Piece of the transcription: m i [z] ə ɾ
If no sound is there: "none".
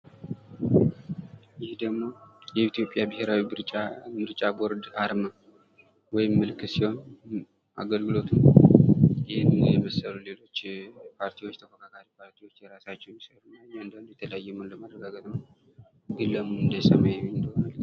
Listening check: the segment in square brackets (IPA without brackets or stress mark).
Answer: s